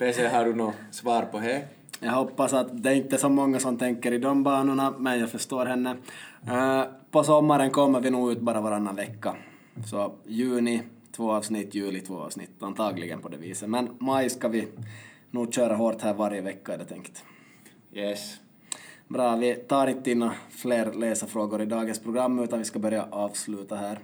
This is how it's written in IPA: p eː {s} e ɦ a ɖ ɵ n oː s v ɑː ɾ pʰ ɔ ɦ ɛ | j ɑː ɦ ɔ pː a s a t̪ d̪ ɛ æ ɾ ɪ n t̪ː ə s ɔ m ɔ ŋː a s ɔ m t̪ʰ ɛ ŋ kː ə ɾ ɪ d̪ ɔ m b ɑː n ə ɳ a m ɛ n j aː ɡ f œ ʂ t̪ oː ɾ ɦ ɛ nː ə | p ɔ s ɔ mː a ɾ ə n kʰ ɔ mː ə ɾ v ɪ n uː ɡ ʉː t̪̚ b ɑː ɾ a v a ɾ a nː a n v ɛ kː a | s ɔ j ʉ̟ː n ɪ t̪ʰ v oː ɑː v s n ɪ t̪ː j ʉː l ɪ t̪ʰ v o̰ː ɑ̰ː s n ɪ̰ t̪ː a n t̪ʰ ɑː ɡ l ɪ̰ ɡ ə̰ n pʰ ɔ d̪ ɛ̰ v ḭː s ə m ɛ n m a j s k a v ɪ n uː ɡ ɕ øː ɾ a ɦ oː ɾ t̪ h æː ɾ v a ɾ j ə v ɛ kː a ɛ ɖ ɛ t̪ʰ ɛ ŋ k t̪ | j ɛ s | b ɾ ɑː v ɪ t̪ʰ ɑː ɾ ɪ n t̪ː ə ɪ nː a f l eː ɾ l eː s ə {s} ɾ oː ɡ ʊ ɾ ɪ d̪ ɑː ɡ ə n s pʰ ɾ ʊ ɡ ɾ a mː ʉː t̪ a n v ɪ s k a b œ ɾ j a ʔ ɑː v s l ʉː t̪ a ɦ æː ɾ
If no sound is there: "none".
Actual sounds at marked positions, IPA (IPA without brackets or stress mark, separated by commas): s, f